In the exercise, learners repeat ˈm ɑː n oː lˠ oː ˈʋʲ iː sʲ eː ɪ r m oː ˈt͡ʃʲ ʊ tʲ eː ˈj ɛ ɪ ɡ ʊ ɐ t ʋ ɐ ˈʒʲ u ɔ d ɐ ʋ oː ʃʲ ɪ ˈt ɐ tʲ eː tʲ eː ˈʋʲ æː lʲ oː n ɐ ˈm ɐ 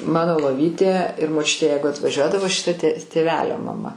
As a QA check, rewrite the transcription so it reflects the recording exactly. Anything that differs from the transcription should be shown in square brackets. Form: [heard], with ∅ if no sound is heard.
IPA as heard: ˈm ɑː n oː lˠ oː ˈʋʲ iː [tʲ] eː ɪ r m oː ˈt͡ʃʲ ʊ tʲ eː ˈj ɛ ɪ ɡ ʊ ɐ t ʋ ɐ ˈʒʲ u ɔ d ɐ ʋ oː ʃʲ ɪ ˈt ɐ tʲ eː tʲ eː ˈʋʲ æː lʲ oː [m] ɐ ˈm ɐ